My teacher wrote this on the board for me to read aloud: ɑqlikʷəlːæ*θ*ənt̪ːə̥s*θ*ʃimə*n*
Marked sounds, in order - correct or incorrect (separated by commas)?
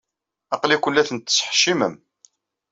correct, incorrect, incorrect